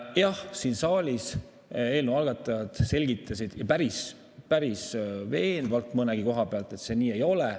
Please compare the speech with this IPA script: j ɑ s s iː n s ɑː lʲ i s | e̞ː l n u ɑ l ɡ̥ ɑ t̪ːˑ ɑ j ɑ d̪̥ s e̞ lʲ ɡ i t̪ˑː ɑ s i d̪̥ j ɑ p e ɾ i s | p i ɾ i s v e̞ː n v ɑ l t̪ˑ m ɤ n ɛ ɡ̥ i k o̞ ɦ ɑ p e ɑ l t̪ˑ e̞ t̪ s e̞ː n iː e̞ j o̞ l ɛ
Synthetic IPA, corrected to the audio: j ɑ h s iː n s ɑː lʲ i s | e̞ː l n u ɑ l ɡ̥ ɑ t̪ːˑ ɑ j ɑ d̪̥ s e̞ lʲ ɡ i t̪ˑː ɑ s i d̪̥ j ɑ p æ ɾ i s | p æ ɾ i s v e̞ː n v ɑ l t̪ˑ m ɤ n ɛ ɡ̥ i k o̞ ɦ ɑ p e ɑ l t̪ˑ e̞ t̪ s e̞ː n iː e̞ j o̞ l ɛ